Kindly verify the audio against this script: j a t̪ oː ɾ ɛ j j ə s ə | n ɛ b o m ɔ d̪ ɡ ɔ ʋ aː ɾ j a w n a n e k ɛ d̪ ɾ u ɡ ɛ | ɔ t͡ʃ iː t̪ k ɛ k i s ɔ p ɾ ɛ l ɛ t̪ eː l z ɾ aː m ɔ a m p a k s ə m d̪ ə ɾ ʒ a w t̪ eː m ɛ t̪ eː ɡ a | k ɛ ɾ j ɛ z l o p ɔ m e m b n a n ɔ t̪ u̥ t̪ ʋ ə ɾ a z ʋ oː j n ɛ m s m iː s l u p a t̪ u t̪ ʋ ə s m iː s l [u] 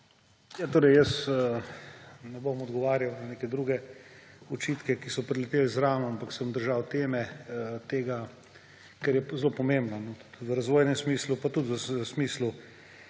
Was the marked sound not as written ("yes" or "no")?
no